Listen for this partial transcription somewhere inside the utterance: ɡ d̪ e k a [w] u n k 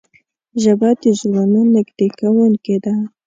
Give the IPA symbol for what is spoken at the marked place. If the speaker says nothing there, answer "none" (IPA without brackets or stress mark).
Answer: w